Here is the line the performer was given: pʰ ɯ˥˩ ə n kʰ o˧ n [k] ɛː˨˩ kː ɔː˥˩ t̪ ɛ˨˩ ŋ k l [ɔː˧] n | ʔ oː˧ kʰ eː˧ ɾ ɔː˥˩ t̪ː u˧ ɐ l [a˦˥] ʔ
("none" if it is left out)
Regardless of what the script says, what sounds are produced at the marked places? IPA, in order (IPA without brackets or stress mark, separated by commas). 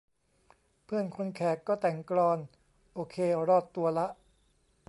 kʰ, ɔː˧, a˦˥